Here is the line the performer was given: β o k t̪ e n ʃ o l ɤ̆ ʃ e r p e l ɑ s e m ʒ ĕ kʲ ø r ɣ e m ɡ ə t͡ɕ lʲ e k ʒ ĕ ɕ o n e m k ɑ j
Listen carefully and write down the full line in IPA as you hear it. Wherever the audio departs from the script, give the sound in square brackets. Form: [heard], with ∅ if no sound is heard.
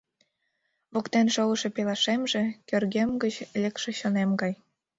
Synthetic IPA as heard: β o k t̪ e n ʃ o l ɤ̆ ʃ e [∅] p e l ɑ [ʃ] e m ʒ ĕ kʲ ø r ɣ e m ɡ ə t͡ɕ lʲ e k [ʃ] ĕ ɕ o n e m [ɡ] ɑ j